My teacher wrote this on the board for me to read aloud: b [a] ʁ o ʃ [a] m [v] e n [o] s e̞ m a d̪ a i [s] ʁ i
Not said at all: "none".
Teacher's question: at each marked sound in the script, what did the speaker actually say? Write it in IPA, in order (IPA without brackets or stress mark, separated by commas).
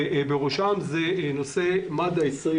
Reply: e, a, z, o, s